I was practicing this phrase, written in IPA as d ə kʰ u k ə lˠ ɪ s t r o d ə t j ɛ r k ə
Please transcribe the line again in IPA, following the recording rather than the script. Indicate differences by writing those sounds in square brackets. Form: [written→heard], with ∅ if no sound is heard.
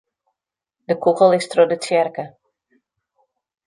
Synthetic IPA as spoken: d ə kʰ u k ə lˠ ɪ s t r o d ə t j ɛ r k ə